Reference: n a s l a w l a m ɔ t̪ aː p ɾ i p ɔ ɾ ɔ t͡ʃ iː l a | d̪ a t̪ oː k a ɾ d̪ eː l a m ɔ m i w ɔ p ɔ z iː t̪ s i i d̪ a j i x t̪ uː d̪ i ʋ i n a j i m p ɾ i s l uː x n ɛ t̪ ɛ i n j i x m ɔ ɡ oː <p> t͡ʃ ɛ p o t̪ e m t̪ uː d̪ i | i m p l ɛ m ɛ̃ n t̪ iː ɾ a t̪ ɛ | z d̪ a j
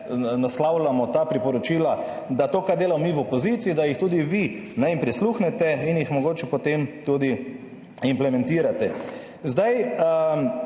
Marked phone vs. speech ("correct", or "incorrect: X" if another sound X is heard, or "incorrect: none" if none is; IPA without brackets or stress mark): incorrect: none